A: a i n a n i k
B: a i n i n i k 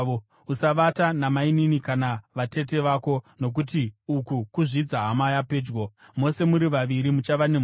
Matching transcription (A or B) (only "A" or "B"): B